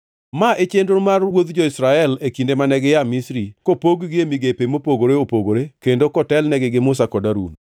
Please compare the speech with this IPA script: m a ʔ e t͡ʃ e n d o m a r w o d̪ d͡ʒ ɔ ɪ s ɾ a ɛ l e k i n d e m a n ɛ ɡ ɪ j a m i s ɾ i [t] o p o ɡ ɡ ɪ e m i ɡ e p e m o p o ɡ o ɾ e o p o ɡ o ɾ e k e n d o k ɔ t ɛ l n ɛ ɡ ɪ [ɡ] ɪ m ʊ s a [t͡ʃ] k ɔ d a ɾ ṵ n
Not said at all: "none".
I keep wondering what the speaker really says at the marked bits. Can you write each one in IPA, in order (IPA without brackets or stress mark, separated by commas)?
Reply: k, ɡ, none